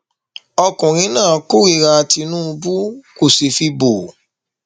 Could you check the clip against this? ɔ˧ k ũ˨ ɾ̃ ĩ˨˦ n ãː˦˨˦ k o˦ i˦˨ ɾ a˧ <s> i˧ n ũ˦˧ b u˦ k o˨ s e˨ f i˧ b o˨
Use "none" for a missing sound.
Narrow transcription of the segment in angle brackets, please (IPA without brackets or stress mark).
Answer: t